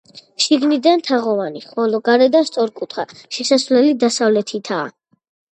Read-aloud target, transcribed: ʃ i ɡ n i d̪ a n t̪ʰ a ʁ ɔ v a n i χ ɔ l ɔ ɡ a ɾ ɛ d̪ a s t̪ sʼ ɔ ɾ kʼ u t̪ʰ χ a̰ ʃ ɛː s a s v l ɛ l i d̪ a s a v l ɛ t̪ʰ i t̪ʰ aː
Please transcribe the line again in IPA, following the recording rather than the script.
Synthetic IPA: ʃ i ɡ n i d̪ a n t̪ʰ a ʁ ɔ v a n i χ ɔ l ɔ ɡ a ɾ ɛ d̪ a s t̪ sʼ ɔ ɾ kʼ u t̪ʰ χ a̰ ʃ ɛ s a s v l ɛ l i d̪ a s a v l ɛ t̪ʰ i t̪ʰ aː

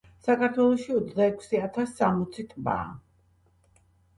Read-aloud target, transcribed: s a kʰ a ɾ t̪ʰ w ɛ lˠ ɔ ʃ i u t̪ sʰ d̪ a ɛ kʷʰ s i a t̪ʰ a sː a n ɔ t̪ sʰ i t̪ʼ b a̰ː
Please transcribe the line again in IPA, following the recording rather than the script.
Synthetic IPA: s a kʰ a ɾ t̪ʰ w ɛ lˠ ɔ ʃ i ɔ t̪ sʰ d̪ a ɛ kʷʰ s i a t̪ʰ a sː a m ɔ t̪ sʰ i t̪ʼ b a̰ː

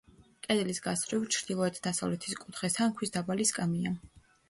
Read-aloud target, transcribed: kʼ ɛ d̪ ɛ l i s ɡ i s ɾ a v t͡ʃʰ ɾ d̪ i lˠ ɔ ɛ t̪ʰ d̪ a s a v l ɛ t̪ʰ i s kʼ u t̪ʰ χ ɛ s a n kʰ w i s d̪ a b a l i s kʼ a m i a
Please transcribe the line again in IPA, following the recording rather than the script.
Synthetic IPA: kʼ ɛ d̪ ɛ l i s ɡ a s ɾ i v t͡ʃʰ ɾ d̪ i lˠ ɔ ɛ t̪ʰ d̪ a s a v l ɛ t̪ʰ i s kʼ u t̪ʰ χ ɛ s a n kʰ w i s d̪ a b a l i s kʼ a m i a

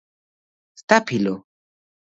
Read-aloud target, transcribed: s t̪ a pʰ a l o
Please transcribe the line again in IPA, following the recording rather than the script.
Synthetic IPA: s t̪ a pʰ i l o

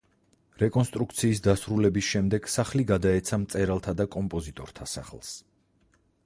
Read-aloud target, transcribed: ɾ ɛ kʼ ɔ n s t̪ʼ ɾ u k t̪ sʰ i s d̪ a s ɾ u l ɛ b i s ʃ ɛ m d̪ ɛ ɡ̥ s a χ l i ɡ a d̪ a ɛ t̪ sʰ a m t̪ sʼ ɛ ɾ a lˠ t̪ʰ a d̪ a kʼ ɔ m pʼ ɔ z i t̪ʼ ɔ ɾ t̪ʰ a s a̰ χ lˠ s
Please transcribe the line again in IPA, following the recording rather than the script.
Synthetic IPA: ɾ ɛ kʼ ɔ n s t̪ʼ ɾ u k t̪ sʰ iː s d̪ a s ɾ u l ɛ b i s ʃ ɛ m d̪ ɛ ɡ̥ s a χ l i ɡ a d̪ a ɛ t̪ sʰ a m t̪ sʼ ɛ ɾ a lˠ t̪ʰ a d̪ a kʼ ɔ m pʼ ɔ z i t̪ʼ ɔ ɾ t̪ʰ a s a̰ χ lˠ s

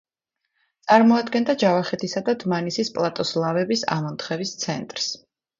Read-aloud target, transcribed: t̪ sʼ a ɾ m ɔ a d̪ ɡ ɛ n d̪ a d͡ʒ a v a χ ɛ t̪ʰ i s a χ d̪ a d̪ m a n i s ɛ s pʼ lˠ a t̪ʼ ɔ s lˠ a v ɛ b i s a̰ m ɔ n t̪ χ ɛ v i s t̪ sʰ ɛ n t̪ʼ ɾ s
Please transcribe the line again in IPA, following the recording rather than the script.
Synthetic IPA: t̪ sʼ a ɾ m ɔ a d̪ ɡ ɛ n d̪ a d͡ʒ a v a χ ɛ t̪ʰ i s a d̪ a d̪ m a n i s i s pʼ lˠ a t̪ʼ ɔ s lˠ a v ɛ b i s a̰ m ɔ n t̪ χ ɛ v i s t̪ sʰ ɛ n t̪ʼ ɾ s

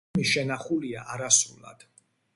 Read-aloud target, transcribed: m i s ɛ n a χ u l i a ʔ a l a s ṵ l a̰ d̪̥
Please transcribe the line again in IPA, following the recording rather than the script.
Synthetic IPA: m i ʃ ɛ n a χ u l i a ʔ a ɾ a s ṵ l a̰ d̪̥

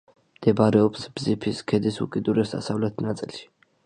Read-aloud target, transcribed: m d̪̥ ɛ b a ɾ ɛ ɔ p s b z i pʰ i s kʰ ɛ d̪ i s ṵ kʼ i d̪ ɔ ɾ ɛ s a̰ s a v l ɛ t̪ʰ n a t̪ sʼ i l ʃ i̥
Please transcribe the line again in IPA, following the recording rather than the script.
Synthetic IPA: m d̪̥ ɛ b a ɾ ɛ ɔ p s b z i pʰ i s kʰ ɛ d̪ i s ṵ kʼ i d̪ u ɾ ɛ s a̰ s a v l ɛ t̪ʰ n a t̪ sʼ i l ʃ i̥

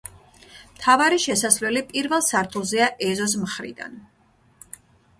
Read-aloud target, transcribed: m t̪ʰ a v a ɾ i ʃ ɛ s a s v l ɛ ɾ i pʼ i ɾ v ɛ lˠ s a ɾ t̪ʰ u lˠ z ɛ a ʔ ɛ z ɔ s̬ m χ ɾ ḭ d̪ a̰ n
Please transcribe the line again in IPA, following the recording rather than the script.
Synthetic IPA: m t̪ʰ a v a ɾ i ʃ ɛ s a s v l ɛ l i pʼ i ɾ v ɛ lˠ s a ɾ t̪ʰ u lˠ z ɛ a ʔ ɛ z ɔ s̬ m χ ɾ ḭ d̪ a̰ n

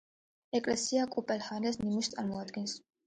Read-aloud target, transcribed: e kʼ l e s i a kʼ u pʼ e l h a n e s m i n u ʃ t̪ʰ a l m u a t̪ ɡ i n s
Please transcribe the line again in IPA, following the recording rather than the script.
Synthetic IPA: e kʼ l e s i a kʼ u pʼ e l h a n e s n i m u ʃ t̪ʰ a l m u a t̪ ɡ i n s

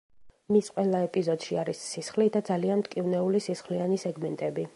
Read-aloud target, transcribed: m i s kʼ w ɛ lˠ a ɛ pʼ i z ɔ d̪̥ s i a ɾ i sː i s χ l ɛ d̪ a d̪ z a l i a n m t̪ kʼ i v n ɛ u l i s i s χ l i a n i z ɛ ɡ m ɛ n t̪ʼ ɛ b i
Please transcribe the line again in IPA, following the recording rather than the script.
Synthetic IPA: m i s qʼ w ɛ lˠ a ɛ pʼ i z ɔ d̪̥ ʃ i a ɾ i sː i s χ l i d̪ a d̪ z a l i a n m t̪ kʼ i v n ɛ u l i s i s χ l i a n i s ɛ ɡ m ɛ n t̪ʼ ɛ b i

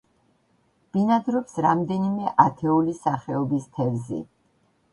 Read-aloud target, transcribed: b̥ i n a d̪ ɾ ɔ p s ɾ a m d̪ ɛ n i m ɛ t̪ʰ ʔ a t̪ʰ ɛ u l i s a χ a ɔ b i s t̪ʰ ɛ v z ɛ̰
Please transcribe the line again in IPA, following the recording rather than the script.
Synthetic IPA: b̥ i n a d̪ ɾ ɔ p s ɾ a m d̪ ɛ n i m ɛ ʔ a t̪ʰ ɛ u l i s a χ ɛ ɔ b i s t̪ʰ ɛ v z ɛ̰

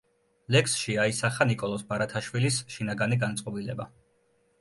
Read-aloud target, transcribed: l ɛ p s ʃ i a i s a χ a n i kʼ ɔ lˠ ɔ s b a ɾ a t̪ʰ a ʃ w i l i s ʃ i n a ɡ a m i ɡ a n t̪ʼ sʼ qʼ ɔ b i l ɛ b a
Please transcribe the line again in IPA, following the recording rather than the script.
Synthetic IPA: l ɛ k s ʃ i a i s a χ a n i kʼ ɔ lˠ ɔ s b a ɾ a t̪ʰ a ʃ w i l i s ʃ i n a ɡ a n i ɡ a n t̪ sʼ qʼ ɔ b i l ɛ b a

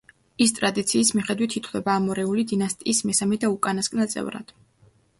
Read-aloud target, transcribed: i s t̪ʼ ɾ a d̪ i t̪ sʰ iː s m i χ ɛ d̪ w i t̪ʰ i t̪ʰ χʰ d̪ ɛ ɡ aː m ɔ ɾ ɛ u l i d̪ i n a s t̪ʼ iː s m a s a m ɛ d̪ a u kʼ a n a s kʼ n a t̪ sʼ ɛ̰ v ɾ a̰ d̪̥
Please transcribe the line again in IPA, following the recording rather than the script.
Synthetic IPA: i s t̪ʼ ɾ a d̪ i t̪ sʰ iː s m i χ ɛ d̪ w i t̪ʰ i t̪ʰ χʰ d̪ ɛ b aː m ɔ ɾ ɛ u l i d̪ i n a s t̪ʼ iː s m ɛ s a m ɛ d̪ a u kʼ a n a s kʼ n a t̪ sʼ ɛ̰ v ɾ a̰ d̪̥

